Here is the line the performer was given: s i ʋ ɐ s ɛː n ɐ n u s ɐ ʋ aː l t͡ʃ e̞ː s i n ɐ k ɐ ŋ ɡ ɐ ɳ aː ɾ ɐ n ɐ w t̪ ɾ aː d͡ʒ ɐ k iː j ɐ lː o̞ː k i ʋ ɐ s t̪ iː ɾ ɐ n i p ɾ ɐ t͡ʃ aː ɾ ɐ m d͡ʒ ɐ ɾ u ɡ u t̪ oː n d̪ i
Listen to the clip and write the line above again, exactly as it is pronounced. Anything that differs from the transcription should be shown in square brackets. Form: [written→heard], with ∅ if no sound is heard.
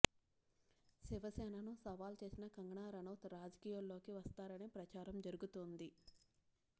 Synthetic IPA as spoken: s i ʋ ɐ s ɛː n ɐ n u s ɐ ʋ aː l t͡ʃ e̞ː s i n ɐ k ɐ ŋ ɡ ɐ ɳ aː ɾ ɐ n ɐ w t̪ ɾ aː d͡ʒ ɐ k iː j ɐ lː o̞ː k i ʋ ɐ s t̪ [iː→aː] ɾ ɐ n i p ɾ ɐ t͡ʃ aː ɾ ɐ m d͡ʒ ɐ ɾ u ɡ u t̪ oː n d̪ i